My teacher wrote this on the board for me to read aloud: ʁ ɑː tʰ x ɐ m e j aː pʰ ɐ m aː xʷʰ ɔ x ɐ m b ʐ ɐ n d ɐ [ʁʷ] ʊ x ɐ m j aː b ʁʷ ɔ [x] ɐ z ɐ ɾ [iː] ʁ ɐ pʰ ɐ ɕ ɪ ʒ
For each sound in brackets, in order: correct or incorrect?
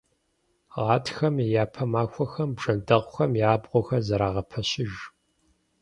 correct, correct, incorrect

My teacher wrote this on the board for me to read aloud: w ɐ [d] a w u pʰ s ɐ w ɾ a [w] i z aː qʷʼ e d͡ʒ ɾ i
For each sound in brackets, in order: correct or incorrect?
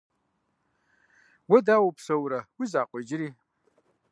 correct, correct

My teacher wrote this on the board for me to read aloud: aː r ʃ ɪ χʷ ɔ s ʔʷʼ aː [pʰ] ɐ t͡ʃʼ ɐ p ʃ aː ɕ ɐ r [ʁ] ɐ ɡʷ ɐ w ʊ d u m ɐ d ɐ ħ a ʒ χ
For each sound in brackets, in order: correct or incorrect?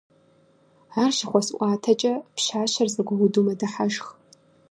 incorrect, incorrect

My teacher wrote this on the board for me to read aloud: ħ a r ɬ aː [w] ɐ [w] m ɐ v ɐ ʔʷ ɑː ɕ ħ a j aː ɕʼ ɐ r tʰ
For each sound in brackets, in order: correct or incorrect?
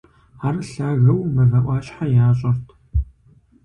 incorrect, correct

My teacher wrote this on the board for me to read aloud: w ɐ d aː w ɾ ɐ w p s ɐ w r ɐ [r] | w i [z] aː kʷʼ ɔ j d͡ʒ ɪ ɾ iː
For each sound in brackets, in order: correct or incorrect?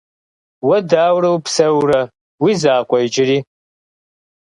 incorrect, correct

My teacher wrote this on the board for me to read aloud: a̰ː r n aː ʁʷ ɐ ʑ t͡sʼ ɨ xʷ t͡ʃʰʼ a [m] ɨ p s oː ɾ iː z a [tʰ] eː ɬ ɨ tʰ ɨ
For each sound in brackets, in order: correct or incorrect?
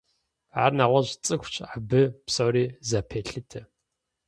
incorrect, incorrect

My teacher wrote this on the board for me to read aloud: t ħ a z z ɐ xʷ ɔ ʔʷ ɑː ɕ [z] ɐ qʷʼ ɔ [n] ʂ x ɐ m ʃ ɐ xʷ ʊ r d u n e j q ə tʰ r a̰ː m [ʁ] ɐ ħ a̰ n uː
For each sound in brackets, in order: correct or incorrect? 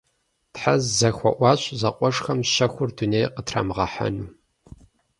correct, incorrect, correct

